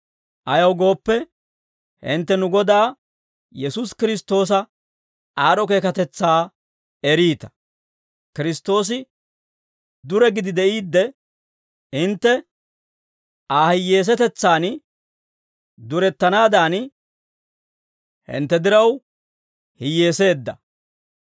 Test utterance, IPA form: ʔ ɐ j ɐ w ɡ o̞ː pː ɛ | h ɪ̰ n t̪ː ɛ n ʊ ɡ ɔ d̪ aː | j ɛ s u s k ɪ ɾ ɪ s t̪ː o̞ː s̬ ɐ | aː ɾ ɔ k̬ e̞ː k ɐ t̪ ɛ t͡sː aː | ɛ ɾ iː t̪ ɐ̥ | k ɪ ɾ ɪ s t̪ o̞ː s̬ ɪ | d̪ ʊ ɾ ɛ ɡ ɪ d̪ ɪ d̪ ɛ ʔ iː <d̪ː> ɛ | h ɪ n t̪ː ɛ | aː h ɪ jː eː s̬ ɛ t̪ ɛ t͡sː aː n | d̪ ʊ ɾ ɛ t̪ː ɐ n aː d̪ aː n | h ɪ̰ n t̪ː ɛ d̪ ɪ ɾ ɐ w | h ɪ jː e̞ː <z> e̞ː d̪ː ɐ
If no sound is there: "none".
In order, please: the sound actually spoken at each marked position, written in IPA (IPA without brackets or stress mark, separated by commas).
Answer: d̪ː, s